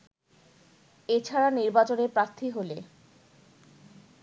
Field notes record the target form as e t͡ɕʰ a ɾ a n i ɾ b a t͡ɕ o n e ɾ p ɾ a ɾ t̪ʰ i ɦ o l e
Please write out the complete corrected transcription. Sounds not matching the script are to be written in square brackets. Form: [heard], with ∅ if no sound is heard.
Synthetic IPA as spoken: e t͡ɕʰ a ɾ a n i ɾ b a t͡ɕ o n e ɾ p ɾ a ɾ t̪ʰ i ɦ o l e

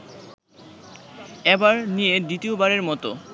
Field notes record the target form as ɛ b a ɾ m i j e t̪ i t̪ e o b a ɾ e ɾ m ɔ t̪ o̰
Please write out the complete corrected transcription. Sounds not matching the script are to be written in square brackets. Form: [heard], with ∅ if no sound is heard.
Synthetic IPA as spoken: ɛ b a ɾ [n] i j e [d̪] i t̪ [i] o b a ɾ e ɾ m ɔ t̪ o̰

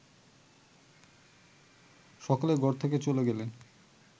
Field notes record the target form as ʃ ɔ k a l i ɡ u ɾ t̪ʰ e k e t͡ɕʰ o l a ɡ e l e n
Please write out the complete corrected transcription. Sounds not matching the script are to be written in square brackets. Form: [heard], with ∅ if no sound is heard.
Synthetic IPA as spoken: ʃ ɔ k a l [e] ɡ [ɔ] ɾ t̪ʰ e k e [t͡ɕ] o l [e] ɡ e l e n

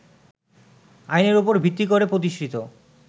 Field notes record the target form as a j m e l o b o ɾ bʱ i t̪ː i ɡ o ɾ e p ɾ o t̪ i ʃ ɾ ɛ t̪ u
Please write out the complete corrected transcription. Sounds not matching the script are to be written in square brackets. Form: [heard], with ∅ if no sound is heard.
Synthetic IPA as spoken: a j [n] e [ɾ] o [p] o ɾ bʱ i t̪ː i [k] o ɾ e p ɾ o t̪ i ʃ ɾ [i] t̪ [o]

